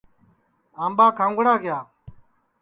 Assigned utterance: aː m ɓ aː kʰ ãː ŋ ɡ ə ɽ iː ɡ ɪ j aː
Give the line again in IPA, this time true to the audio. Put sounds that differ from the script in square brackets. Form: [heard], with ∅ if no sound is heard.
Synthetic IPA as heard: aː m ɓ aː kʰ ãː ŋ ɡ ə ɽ [aː] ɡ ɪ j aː